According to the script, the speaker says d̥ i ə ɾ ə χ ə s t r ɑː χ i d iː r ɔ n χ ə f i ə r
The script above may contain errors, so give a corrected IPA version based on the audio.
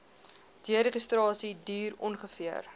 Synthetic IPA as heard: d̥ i ə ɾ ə χ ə s t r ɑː s i d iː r ɔ n χ ə f i ə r